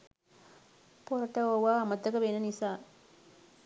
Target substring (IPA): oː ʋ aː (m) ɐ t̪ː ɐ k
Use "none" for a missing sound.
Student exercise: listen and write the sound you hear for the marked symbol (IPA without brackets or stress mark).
m